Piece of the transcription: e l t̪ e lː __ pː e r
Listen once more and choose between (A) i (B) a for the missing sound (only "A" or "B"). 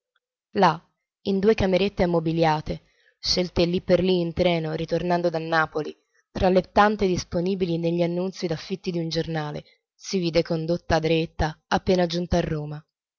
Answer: A